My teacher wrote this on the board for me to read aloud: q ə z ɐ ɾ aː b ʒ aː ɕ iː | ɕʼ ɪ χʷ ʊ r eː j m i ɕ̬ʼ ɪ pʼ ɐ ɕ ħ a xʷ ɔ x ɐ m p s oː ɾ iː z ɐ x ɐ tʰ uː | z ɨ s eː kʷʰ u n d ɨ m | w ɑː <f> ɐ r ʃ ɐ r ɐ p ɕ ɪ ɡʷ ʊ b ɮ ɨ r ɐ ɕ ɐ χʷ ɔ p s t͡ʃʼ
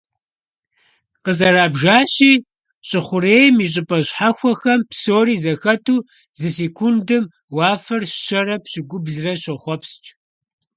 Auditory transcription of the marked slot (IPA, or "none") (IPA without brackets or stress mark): f